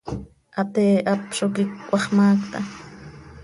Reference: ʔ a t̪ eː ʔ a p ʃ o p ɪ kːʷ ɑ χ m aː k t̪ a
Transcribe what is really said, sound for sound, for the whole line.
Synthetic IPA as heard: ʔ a t̪ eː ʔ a p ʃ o k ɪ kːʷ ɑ χ m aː k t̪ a